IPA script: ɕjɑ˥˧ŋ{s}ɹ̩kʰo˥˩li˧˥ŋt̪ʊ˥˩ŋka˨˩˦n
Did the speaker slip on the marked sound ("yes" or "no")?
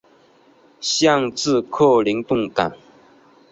yes